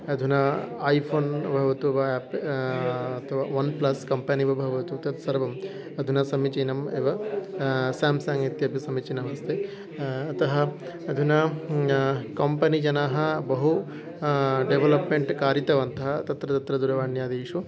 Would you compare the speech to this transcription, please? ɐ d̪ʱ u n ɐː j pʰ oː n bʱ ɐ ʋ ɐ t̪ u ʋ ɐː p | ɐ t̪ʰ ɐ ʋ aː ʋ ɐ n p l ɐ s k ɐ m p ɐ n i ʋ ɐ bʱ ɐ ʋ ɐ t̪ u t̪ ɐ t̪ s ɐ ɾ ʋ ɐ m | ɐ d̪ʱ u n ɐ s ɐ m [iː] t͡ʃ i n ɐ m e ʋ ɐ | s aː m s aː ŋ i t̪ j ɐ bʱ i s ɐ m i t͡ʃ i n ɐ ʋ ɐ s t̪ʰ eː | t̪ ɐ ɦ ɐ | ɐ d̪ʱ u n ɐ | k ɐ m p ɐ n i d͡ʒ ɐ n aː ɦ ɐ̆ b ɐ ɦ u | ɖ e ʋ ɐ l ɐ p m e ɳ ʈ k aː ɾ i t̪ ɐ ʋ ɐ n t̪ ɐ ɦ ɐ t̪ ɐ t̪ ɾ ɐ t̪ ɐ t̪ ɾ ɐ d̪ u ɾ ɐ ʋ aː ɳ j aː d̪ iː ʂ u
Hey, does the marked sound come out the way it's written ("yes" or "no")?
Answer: no